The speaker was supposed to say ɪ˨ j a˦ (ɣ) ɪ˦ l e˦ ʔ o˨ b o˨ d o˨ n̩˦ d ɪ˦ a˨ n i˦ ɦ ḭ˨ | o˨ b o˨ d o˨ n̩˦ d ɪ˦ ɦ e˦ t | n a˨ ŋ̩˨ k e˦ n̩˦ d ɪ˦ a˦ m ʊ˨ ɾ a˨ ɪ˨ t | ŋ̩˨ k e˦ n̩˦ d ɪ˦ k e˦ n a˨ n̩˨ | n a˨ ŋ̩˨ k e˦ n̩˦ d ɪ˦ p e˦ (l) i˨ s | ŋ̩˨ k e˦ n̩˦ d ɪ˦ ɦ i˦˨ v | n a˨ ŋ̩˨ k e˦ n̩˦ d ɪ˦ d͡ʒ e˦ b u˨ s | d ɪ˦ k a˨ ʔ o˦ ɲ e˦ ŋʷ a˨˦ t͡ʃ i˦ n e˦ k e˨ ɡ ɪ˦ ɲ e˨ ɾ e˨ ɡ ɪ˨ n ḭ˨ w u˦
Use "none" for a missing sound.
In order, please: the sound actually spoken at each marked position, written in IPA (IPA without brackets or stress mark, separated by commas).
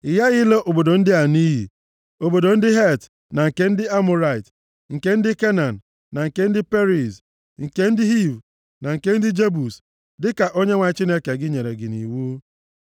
ɣ, ɾ